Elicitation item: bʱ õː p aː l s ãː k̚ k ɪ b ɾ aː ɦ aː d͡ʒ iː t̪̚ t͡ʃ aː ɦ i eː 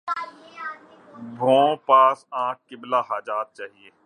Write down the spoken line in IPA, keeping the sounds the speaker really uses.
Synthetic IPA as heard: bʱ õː p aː s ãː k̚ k ɪ b l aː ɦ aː d͡ʒ aː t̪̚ t͡ʃ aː ɦ i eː